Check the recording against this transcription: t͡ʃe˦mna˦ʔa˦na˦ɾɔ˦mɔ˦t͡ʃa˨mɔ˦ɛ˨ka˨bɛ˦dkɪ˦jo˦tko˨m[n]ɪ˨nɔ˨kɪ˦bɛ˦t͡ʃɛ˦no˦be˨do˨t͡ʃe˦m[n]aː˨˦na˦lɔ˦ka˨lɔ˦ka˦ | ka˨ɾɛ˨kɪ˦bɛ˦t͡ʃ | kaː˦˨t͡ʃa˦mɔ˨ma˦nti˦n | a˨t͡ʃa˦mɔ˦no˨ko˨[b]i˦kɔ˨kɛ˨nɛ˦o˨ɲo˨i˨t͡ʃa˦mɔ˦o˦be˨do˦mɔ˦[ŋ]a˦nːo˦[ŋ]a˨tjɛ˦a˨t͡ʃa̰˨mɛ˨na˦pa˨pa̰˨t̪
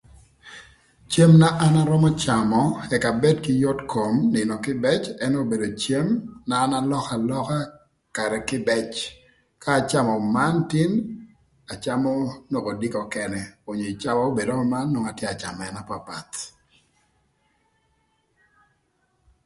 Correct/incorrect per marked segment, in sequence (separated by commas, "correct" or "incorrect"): correct, correct, incorrect, incorrect, correct